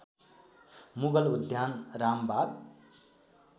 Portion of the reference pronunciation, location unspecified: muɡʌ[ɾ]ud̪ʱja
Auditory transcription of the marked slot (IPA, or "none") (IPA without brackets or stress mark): l